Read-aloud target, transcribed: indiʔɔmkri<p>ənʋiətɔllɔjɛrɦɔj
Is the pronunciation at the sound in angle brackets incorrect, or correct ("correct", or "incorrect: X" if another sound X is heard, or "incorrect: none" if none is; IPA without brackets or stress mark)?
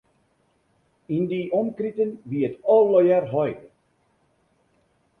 incorrect: t